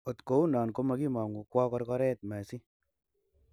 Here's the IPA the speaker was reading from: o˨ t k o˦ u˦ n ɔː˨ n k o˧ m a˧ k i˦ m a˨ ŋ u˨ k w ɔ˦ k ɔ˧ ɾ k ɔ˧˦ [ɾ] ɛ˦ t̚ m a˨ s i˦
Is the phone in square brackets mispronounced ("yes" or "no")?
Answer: no